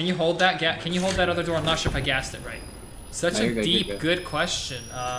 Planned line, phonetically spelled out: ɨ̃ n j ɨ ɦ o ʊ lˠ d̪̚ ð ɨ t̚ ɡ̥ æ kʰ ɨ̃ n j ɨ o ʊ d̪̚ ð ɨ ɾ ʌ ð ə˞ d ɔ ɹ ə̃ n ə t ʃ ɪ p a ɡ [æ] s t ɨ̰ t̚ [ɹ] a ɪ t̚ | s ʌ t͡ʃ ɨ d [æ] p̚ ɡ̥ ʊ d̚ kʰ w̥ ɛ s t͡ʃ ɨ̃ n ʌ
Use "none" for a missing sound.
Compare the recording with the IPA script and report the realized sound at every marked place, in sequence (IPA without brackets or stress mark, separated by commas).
æ, ɹ, i